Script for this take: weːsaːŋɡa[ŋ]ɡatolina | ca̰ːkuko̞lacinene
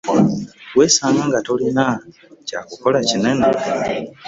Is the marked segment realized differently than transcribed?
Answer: no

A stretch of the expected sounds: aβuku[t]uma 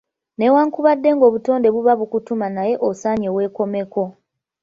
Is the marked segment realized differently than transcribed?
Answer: no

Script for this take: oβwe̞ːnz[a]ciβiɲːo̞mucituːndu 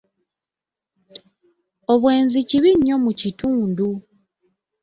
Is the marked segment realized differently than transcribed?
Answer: yes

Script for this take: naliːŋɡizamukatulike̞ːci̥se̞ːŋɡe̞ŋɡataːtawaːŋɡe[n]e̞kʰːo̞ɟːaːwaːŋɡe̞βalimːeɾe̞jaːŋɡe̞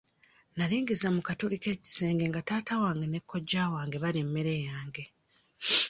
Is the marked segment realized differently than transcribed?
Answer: no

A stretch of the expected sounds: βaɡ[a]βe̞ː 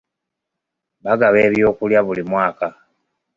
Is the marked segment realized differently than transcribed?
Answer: no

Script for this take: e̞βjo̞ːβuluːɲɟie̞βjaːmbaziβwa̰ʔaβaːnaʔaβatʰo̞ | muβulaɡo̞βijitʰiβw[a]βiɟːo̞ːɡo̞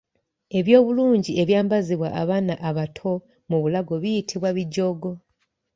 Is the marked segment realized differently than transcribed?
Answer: no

